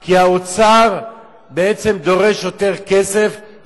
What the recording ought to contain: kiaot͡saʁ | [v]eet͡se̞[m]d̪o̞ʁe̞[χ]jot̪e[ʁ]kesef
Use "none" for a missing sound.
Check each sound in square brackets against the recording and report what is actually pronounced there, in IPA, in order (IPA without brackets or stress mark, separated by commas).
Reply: b, m, ʃ, ʁ